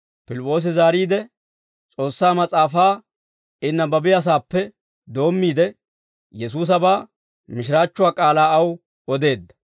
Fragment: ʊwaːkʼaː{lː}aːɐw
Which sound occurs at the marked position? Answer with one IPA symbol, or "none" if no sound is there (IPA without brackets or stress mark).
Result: l